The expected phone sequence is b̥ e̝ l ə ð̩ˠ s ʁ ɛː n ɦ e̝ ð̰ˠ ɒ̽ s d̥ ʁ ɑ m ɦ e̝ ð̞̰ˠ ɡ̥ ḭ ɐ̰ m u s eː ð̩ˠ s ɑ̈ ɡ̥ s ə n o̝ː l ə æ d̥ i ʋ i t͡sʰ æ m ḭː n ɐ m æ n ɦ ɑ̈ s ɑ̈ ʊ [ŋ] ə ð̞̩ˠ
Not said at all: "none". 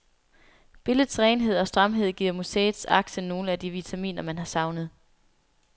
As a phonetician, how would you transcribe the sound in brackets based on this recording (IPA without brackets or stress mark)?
n